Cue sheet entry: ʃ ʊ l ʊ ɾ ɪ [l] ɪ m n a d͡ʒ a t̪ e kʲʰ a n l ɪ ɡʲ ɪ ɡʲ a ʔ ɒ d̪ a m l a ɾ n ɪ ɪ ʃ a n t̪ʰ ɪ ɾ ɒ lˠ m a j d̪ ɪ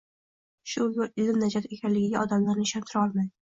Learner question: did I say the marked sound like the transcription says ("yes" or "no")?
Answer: yes